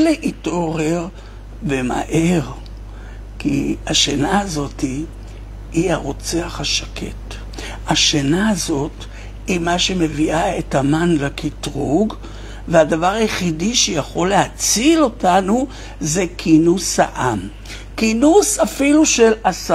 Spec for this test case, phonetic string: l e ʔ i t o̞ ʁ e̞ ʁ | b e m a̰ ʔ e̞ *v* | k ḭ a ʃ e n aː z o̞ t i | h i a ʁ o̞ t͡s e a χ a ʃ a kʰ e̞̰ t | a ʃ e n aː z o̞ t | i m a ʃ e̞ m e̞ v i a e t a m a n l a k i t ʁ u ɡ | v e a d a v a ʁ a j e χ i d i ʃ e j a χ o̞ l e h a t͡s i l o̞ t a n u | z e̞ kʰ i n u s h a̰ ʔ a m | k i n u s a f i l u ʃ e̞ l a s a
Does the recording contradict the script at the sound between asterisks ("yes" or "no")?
yes